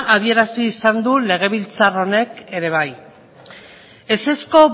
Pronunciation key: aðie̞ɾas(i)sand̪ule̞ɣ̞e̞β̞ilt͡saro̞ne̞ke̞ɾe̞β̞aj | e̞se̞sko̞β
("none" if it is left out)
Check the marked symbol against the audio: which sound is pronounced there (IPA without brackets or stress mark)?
iː